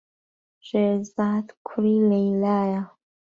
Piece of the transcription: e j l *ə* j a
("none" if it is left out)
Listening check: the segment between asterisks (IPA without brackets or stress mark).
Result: a